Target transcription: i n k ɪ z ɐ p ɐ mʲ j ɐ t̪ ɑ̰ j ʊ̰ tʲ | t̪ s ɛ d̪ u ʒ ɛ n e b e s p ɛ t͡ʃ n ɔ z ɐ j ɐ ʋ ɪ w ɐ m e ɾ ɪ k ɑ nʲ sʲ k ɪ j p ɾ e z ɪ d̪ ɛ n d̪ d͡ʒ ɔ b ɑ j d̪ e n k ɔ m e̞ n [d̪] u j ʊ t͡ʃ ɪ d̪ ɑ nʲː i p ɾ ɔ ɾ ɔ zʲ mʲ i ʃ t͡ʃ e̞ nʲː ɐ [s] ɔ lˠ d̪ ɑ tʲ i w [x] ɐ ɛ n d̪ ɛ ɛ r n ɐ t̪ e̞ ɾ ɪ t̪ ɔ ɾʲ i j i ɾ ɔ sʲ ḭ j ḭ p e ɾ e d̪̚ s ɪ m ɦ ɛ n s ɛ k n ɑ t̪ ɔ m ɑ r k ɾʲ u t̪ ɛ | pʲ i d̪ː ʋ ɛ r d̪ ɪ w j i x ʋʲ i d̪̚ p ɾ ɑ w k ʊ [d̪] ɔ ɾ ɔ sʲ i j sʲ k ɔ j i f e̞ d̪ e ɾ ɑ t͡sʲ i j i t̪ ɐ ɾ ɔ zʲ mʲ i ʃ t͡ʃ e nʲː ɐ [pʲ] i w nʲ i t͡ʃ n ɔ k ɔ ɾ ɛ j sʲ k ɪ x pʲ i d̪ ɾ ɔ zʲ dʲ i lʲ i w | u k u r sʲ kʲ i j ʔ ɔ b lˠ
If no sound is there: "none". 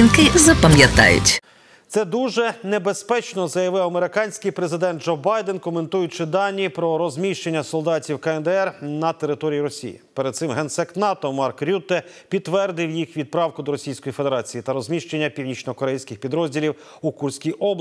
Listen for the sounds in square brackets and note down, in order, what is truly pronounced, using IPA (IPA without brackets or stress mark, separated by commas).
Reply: t̪, s, k, d̪, pʲ